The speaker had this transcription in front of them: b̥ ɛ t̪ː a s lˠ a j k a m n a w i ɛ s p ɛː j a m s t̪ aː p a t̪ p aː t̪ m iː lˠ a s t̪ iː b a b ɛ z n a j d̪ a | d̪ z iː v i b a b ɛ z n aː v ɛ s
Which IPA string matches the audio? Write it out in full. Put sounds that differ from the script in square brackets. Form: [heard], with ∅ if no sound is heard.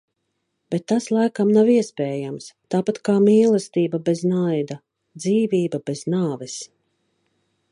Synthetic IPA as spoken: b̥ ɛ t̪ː a s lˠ a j k a m n a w i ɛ s p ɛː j a m s t̪ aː p a t̪ [k] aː [∅] m iː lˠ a s t̪ iː b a b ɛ z n a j d̪ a | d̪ z iː v [iː] b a b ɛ z n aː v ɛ s

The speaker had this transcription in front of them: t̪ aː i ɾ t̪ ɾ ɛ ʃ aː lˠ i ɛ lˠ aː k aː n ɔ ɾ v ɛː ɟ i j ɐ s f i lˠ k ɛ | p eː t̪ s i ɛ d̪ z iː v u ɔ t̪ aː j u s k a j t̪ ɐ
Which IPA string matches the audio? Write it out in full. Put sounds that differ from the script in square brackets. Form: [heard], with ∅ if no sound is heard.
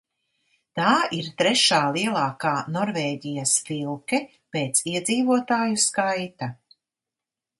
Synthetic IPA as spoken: t̪ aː i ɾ t̪ ɾ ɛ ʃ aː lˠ i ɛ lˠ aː k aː n ɔ ɾ v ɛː ɟ i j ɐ s f i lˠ k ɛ | p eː t̪ s i ɛ d̪ z iː v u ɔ t̪ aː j u s k a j t̪ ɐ

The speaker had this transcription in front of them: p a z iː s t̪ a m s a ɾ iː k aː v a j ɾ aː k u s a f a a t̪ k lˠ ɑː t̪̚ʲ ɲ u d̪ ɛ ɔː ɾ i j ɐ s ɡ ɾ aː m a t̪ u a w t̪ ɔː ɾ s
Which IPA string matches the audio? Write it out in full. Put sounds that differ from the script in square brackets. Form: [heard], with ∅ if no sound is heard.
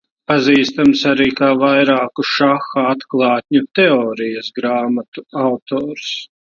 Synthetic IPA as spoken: p a z iː s t̪ a m s a ɾ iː k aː v a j ɾ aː k u [ʃ] a [x] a a t̪ k lˠ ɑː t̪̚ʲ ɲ u [t̪] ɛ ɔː ɾ i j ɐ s ɡ ɾ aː m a t̪ u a w t̪ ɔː ɾ s

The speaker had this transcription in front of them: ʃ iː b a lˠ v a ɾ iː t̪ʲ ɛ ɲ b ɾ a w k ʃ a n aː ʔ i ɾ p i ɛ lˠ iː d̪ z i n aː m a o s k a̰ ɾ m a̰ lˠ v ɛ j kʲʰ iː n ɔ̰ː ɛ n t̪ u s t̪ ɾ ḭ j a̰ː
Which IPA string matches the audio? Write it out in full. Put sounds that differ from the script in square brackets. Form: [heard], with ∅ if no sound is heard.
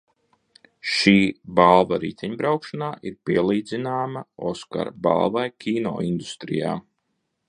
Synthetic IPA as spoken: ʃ iː b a lˠ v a ɾ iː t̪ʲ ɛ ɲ b ɾ a w k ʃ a n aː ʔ i ɾ p i ɛ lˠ iː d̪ z i n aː m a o s k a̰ ɾ [b] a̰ lˠ v [a] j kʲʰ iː n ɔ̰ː [i] n [d̪] u s t̪ ɾ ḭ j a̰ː

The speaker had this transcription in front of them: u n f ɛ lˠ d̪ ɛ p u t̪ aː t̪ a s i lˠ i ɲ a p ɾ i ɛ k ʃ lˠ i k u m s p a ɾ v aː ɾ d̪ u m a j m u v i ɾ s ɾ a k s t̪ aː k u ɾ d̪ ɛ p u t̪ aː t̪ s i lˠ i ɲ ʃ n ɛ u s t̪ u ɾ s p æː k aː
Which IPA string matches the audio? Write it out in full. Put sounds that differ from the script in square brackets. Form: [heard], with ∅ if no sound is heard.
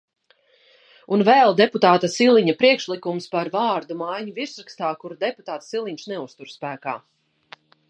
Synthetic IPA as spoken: u n [v] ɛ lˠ d̪ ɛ p u t̪ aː t̪ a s i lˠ i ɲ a p ɾ i ɛ k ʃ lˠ i k u m s p a ɾ v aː ɾ d̪ u m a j [ɲ] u v i ɾ s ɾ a k s t̪ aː k u ɾ d̪ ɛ p u t̪ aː t̪ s i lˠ i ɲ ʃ n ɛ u s t̪ u ɾ s p æː k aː

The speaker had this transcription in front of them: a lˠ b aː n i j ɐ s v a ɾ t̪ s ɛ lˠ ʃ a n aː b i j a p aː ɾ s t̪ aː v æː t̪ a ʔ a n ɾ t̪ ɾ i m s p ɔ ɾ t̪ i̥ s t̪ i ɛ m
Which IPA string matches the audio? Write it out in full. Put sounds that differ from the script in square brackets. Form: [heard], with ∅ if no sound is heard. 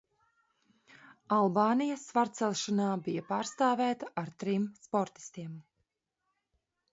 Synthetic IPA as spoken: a lˠ b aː n i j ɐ s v a ɾ t̪ s ɛ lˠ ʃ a n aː b i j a p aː ɾ s t̪ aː v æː t̪ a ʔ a [∅] ɾ t̪ ɾ i m s p ɔ ɾ t̪ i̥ s t̪ i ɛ m

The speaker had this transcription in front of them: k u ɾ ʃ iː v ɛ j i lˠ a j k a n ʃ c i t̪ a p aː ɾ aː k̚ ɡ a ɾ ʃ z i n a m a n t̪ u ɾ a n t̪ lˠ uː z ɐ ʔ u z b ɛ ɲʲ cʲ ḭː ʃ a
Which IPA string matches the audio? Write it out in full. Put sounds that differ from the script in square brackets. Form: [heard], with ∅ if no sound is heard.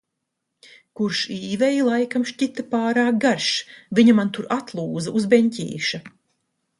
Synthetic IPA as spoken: k u ɾ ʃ iː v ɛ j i lˠ a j k a [m] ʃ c i t̪ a p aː ɾ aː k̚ ɡ a ɾ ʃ [v] i [ɲ] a m a n t̪ u ɾ a [∅] t̪ lˠ uː z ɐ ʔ u z b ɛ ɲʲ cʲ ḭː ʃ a

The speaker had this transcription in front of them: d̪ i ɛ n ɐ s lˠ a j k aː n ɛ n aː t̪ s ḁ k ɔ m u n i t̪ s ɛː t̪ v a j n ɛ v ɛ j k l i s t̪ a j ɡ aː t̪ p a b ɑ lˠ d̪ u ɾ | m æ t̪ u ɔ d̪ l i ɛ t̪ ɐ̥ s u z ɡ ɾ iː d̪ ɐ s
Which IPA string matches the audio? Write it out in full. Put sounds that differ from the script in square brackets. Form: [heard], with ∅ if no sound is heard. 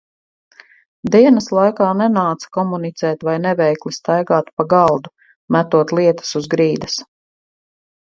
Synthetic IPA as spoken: d̪ i ɛ n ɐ s lˠ a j k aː n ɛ n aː t̪ s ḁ k ɔ m u n i t̪ s ɛː t̪ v a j n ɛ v ɛ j k l i s t̪ a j ɡ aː t̪ p a [ɡ] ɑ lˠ d̪ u [∅] | m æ t̪ u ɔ [t̪] l i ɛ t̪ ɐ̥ s u z ɡ ɾ iː d̪ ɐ s

